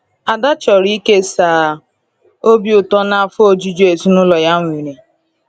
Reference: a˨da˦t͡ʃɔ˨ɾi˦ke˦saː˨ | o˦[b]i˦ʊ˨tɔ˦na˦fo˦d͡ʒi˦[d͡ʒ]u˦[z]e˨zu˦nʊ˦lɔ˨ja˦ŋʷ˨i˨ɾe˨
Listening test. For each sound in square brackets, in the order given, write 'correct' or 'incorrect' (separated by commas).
correct, correct, incorrect